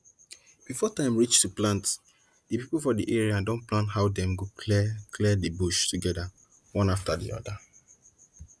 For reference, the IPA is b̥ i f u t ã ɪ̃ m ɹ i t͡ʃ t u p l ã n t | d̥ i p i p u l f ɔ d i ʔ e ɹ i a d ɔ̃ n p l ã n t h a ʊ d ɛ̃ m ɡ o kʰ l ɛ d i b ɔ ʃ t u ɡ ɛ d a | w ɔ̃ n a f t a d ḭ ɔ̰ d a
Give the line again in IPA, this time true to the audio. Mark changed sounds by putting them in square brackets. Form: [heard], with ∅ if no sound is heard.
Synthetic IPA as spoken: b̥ i f [ɔ] t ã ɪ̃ m ɹ i t͡ʃ t u p l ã n t | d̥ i p i p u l f ɔ d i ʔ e ɹ i a d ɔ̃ n p l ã n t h a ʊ d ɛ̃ m ɡ o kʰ l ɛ d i b [u] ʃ t u ɡ ɛ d a | w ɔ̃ n a f t a d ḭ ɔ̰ d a